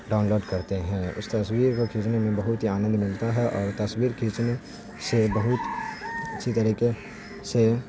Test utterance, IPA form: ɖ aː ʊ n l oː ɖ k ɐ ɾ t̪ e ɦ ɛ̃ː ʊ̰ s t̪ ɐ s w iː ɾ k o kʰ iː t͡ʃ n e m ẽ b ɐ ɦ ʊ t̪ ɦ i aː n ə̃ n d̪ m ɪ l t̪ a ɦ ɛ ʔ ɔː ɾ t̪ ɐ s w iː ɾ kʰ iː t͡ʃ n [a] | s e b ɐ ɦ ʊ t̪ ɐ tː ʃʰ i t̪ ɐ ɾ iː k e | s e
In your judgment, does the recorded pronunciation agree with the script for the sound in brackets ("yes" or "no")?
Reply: no